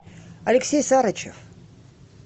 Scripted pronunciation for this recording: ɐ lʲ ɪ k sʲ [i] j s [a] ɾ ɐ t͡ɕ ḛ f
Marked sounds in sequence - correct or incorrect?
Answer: incorrect: e, correct

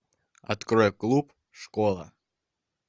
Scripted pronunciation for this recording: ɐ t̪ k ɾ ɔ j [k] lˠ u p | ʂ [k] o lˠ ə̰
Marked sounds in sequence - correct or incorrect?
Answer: correct, correct

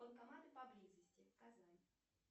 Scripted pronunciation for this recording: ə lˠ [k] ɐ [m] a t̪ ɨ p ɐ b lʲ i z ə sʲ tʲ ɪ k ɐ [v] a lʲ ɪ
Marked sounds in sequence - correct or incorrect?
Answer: correct, correct, incorrect: z

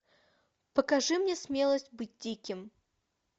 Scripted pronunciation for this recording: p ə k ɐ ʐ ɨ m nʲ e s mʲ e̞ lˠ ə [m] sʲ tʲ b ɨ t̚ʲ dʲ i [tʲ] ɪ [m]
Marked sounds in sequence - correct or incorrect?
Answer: incorrect: none, incorrect: kʲ, correct

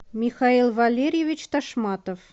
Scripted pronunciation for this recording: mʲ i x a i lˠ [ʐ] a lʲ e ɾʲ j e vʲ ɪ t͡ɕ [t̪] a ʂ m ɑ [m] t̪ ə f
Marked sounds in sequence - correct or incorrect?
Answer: incorrect: v, correct, incorrect: none

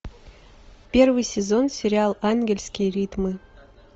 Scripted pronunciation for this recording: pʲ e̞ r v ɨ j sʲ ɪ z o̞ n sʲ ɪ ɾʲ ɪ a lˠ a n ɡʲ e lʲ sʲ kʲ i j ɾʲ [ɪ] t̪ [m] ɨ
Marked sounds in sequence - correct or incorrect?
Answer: incorrect: i, correct

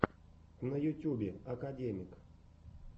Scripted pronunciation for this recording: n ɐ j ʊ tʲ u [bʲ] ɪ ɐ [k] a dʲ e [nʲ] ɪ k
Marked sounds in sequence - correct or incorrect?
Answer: correct, correct, incorrect: mʲ

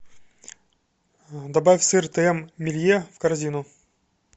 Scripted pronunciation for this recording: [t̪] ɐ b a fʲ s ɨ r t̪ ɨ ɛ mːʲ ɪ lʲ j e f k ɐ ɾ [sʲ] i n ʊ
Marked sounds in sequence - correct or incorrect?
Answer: incorrect: d̪, incorrect: zʲ

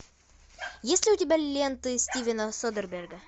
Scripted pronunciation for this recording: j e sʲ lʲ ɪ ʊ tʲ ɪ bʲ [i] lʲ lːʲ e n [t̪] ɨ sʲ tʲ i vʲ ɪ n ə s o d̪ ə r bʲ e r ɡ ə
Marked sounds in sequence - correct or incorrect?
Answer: incorrect: æ, correct

